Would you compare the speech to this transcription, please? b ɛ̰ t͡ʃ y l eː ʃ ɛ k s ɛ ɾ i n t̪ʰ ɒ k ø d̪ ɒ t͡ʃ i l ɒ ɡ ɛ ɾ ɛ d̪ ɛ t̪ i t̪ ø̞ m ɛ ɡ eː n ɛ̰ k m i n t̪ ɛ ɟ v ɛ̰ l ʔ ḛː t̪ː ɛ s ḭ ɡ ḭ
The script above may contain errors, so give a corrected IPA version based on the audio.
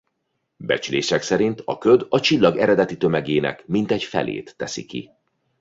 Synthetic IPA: b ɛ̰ t͡ʃ y l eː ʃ ɛ k s ɛ ɾ i n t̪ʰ ɒ k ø d̪ ɒ t͡ʃ i lː ɒ ɡ ɛ ɾ ɛ d̪ ɛ t̪ i t̪ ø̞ m ɛ ɡ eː n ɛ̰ k m i n t̪ ɛ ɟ f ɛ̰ l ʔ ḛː t̪ː ɛ s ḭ k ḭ

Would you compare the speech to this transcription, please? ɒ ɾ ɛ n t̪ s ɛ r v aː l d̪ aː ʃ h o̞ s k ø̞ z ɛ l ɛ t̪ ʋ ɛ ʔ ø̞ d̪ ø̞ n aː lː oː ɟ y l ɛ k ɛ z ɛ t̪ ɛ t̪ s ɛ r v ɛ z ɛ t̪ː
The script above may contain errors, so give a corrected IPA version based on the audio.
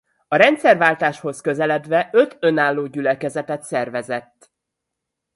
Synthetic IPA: ɒ ɾ ɛ n t̪ s ɛ r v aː l t̪ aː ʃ h o̞ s k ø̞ z ɛ l ɛ d̪ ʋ ɛ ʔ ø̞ t̪ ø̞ n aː lː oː ɟ y l ɛ k ɛ z ɛ t̪ ɛ t̪ s ɛ r v ɛ z ɛ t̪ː

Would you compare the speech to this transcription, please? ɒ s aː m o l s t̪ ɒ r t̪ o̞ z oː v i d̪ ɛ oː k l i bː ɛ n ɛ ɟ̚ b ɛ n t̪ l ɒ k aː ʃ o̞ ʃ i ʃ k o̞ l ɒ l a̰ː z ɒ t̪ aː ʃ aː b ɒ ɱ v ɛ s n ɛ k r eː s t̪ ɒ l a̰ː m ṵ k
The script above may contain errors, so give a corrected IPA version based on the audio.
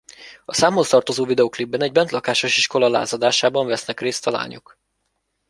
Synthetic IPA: ɒ s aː m o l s t̪ ɒ r t̪ o̞ z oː v i d̪ ɛ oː k l i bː ɛ n ɛ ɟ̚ b ɛ n t̪ l ɒ k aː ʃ o̞ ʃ i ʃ k o̞ l ɒ l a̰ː z ɒ d̪ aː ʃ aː b ɒ ɱ v ɛ s n ɛ k r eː s t̪ ɒ l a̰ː ɲ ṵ k

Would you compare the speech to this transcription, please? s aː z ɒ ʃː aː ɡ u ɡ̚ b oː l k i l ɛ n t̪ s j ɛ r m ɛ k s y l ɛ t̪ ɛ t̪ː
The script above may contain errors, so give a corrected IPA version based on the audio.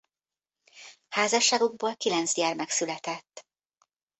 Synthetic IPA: h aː z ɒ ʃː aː ɡ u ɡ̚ b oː l k i l ɛ n t̪ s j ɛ r m ɛ k s y l ɛ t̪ ɛ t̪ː

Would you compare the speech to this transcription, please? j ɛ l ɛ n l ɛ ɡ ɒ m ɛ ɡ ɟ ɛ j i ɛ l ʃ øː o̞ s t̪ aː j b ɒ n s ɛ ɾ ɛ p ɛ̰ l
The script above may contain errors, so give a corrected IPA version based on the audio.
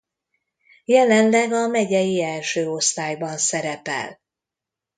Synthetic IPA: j ɛ l ɛ n l ɛ ɡ ɒ m ɛ ɟ ɛ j i ɛ l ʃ øː o̞ s t̪ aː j b ɒ n s ɛ ɾ ɛ p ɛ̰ l

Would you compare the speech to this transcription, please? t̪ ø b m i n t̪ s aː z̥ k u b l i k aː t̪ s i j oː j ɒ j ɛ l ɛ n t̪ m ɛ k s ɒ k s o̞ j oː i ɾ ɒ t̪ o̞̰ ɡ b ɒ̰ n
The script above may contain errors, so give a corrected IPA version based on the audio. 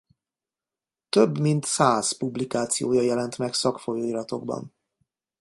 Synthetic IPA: t̪ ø b m i n t̪ s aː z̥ p u b l i k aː t̪ s i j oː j ɒ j ɛ l ɛ n t̪ m ɛ k s ɒ k f o̞ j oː i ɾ ɒ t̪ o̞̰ ɡ b ɒ̰ n

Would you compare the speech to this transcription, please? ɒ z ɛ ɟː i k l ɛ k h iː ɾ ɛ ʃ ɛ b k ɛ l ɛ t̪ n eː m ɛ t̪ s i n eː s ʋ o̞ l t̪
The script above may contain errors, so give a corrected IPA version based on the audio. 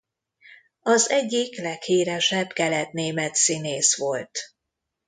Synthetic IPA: ɒ z ɛ ɟː i k l ɛ k h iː ɾ ɛ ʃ ɛ b k ɛ l ɛ t̪ n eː m ɛ t̪ s i n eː s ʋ o̞ l t̪

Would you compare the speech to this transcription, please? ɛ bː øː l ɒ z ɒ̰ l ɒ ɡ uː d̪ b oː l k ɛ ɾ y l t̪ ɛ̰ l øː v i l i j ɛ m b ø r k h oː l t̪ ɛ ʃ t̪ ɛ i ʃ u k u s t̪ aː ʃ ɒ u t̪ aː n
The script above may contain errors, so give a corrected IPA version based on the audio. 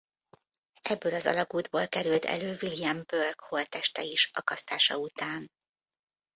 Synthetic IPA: ɛ bː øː l ɒ z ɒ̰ l ɒ ɡ uː d̪ b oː l k ɛ ɾ y l t̪ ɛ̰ l øː v i l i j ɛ m b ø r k h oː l t̪ ɛ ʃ t̪ ɛ i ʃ ɒ k ɒ s t̪ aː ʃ ɒ u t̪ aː n

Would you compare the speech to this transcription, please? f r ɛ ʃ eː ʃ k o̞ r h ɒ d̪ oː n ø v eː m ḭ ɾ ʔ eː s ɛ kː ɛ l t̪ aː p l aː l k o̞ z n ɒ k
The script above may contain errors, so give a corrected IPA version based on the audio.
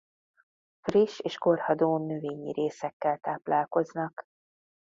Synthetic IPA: f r i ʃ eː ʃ k o̞ r h ɒ d̪ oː n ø v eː ɲ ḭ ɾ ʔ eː s ɛ kː ɛ l t̪ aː p l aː l k o̞ z n ɒ k

